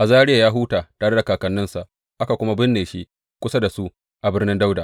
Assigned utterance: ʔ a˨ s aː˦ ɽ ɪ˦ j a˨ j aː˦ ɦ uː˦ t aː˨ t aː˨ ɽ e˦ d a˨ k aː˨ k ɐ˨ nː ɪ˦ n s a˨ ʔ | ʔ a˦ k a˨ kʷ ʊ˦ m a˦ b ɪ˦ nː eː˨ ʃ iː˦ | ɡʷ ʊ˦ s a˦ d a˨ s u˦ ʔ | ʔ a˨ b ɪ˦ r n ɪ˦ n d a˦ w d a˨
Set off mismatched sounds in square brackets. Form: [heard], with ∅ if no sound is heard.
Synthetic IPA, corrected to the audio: ʔ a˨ [z] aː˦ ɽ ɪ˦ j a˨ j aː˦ ɦ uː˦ t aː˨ t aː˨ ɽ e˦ d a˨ k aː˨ k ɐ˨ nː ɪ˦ n s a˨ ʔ | ʔ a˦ k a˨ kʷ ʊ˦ m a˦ b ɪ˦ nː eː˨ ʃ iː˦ | [kʷ] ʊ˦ s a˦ d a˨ s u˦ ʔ | ʔ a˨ b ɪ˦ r n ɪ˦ n d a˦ w d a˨

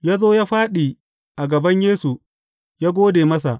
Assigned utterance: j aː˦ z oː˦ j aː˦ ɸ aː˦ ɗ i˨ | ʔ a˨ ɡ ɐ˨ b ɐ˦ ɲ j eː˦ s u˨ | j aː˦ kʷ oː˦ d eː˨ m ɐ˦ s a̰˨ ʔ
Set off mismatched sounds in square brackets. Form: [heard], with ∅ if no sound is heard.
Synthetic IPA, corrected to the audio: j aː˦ z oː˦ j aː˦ ɸ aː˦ ɗ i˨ | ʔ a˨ ɡ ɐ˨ b ɐ˦ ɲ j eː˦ s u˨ | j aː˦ [ɡʷ] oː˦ d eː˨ m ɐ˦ s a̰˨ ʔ

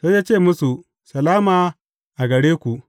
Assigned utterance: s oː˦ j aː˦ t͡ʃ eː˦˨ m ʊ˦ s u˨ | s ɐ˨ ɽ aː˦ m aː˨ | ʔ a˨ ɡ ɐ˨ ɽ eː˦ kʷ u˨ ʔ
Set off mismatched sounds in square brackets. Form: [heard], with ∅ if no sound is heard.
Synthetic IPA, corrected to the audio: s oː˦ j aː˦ t͡ʃ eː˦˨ m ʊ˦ s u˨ | s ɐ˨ [l] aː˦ m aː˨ | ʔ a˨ ɡ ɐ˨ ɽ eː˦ kʷ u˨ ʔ

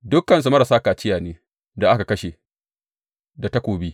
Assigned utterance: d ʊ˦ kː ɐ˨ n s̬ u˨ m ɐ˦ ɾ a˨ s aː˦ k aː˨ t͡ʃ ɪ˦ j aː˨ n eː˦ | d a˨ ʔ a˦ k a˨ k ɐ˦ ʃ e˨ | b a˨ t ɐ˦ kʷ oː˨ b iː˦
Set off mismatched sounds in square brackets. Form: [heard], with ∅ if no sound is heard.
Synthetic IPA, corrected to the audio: d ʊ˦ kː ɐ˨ n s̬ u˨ m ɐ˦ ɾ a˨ s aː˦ k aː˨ t͡ʃ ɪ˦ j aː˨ n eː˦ | d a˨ ʔ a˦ k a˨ k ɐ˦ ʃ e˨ | [d] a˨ t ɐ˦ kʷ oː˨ b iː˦

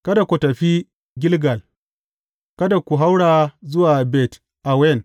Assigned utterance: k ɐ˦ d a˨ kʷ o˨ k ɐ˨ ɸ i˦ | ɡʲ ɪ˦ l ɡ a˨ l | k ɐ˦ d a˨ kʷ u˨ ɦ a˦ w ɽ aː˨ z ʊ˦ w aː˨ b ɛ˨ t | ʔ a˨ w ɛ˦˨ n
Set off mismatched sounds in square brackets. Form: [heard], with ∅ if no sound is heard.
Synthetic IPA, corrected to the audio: k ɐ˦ d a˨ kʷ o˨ [t] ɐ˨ ɸ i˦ | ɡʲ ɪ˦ l ɡ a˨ l | k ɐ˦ d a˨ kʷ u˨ ɦ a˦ w ɽ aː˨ z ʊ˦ w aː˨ b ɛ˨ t | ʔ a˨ w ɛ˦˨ n

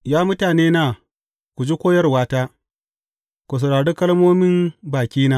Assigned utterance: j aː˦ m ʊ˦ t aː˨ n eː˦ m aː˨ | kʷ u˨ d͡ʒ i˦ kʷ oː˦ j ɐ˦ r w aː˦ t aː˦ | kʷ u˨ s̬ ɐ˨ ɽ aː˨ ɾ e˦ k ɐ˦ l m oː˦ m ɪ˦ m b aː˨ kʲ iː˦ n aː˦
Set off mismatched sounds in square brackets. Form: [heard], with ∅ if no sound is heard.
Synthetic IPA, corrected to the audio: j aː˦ m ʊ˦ t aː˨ n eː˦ [n] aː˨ | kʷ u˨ d͡ʒ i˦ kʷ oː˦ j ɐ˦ r w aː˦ t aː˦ | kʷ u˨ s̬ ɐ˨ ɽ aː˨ [ɽ] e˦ k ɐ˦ l m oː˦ m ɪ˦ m b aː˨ kʲ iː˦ n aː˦

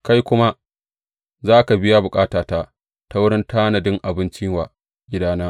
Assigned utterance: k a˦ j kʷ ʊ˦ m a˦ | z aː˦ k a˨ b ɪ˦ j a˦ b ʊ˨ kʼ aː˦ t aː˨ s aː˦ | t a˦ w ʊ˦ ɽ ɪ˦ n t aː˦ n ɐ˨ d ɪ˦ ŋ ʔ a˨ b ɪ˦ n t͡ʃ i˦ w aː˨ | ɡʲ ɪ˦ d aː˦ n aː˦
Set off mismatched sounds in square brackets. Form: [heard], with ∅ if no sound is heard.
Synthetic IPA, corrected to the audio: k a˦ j kʷ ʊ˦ m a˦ | z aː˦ k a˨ b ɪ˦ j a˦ b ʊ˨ kʼ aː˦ t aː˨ [t] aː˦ | t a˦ w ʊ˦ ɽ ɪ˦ n t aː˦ n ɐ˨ d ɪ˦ ŋ ʔ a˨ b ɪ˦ n t͡ʃ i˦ w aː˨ | ɡʲ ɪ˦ d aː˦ n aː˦

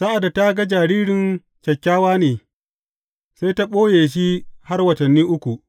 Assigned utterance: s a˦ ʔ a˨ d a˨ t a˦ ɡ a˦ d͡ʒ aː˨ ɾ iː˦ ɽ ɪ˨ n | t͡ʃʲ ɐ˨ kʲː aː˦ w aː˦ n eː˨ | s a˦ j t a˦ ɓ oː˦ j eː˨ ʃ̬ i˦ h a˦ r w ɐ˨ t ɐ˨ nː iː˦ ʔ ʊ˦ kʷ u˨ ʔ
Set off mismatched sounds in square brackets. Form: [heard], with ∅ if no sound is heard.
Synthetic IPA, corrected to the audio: s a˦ ʔ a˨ d a˨ t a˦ ɡ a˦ d͡ʒ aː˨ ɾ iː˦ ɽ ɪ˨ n | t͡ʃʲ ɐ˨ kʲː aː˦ w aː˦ n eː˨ | s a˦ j t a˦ ɓ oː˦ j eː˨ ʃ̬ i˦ h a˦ r w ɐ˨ t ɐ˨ nː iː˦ ʔ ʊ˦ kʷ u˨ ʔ

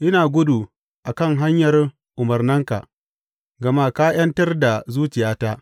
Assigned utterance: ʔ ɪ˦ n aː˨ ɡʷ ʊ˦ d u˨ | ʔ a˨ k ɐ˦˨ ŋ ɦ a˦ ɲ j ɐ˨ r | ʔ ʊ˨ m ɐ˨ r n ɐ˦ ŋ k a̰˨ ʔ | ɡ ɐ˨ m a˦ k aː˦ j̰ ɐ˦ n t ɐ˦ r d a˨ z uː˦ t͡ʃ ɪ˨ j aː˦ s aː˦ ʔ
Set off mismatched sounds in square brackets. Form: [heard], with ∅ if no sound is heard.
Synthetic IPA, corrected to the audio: ʔ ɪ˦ n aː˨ ɡʷ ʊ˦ d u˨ | ʔ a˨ k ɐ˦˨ ŋ ɦ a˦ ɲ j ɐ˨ r | ʔ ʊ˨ m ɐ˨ r n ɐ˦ ŋ k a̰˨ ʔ | ɡ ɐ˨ m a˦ k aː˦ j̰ ɐ˦ n t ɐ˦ r d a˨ z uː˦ t͡ʃ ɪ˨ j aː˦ [t] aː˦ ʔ

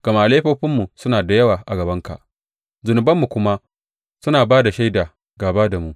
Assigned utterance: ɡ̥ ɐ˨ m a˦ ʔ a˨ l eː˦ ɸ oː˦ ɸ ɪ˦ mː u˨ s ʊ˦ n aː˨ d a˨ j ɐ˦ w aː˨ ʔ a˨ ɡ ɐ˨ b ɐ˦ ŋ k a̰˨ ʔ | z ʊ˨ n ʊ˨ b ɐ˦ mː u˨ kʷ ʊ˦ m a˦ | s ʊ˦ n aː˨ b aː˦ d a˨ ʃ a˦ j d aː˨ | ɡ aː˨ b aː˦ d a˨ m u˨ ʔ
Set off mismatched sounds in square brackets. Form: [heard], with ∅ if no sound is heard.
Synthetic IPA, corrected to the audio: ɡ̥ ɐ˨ m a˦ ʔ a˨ l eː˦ ɸ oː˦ ɸ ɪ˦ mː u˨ s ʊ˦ n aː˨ d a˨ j ɐ˦ w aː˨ ʔ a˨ ɡ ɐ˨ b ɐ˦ ŋ k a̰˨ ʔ | z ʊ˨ n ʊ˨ b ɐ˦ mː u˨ kʷ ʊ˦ m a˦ | s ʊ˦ n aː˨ b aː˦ d a˨ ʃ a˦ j d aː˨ | ɡ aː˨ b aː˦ d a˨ m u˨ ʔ

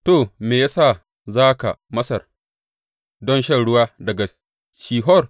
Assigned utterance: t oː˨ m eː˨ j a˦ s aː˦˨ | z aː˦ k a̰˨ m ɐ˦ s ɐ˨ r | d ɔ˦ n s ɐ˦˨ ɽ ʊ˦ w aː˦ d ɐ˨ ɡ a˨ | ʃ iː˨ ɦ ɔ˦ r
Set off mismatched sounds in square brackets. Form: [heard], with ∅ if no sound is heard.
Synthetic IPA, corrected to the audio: t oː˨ m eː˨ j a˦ s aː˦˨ | z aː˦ k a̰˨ m ɐ˦ s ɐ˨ r | d ɔ˦ n [ʃ] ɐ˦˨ ɽ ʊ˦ w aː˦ d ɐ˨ ɡ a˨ | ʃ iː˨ ɦ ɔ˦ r

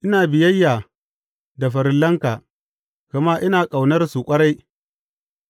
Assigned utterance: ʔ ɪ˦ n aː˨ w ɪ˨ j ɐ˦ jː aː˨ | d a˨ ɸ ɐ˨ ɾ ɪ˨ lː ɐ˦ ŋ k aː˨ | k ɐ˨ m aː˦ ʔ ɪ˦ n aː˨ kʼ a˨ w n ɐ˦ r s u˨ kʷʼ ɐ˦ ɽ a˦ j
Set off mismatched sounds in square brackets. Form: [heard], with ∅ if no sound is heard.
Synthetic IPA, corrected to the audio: ʔ ɪ˦ n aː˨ [b] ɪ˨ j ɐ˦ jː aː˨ | d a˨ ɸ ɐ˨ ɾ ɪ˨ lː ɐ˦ ŋ k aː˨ | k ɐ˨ m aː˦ ʔ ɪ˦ n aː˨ kʼ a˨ w n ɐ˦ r s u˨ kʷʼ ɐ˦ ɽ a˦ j

